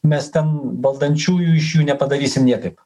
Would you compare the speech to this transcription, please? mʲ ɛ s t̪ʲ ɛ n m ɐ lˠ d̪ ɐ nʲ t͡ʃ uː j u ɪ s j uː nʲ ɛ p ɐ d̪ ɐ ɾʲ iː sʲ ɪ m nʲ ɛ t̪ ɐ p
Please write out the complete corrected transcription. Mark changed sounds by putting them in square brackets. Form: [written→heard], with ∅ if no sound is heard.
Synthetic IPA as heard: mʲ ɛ s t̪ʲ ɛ n [m→b] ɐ lˠ d̪ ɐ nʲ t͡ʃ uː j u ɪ [s→ʃ] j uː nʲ ɛ p ɐ d̪ ɐ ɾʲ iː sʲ ɪ m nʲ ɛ t̪ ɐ p